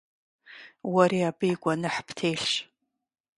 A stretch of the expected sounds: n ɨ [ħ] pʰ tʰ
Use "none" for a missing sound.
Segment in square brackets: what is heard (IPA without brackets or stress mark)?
ħ